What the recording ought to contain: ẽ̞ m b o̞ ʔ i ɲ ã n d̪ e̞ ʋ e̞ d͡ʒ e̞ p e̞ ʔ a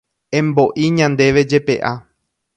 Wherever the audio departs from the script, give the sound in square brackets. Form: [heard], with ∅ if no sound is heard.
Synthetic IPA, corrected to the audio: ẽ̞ m b o̞ ʔ i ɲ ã n d̪ e̞ ʋ e̞ d͡ʒ e̞ p e̞ ʔ a